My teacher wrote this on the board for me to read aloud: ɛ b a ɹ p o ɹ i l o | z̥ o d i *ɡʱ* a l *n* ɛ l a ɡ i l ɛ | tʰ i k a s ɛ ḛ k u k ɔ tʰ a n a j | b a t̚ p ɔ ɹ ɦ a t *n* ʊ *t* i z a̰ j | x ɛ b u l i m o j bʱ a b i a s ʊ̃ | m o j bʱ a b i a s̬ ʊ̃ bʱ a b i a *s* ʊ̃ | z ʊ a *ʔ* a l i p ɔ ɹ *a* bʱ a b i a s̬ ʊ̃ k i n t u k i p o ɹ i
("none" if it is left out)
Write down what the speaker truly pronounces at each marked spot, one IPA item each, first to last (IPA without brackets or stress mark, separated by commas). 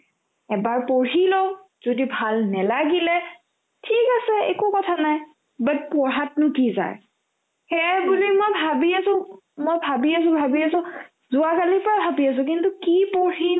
bʱ, n, n, k, s, k, a